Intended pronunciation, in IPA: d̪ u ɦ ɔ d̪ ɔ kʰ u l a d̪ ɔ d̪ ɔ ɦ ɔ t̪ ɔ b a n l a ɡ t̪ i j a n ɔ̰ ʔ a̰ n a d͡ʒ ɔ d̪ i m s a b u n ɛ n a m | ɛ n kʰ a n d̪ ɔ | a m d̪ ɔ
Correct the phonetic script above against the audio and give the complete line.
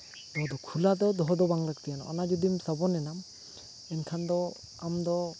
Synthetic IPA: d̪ ɔ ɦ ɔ d̪ ɔ kʰ u l a d̪ ɔ d̪ ɔ ɦ ɔ d̪ ɔ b a ŋ l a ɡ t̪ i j a n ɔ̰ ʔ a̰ n a d͡ʒ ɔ d̪ i m s a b ɔ n ɛ n a m | ɛ n kʰ a n d̪ ɔ | a m d̪ ɔ